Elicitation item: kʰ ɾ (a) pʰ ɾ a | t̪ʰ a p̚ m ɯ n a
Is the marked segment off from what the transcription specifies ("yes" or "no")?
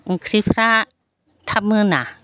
yes